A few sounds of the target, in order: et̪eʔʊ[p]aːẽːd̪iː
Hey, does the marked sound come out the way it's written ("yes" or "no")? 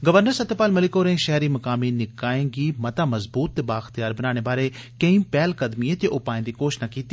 yes